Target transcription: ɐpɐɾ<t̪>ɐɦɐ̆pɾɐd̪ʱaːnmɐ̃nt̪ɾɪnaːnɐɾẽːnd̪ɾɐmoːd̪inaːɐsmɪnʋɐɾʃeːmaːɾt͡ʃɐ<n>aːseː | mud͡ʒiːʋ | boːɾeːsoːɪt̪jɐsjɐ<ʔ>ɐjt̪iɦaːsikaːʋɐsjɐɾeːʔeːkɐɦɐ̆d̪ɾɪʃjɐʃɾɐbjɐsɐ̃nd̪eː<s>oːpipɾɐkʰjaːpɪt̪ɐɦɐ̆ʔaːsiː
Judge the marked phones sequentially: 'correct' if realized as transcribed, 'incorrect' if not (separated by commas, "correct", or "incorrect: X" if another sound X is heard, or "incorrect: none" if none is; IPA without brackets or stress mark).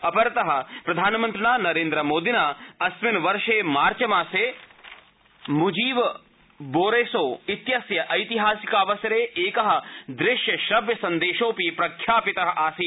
correct, incorrect: m, correct, incorrect: ʃ